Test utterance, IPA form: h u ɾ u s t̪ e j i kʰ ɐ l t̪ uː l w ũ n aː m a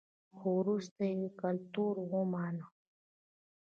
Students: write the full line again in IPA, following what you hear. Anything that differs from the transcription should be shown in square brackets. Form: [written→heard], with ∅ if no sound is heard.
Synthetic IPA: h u ɾ u s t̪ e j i [kʰ→k] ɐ l t̪ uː [l→ɾ] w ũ [n→m] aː [m→n] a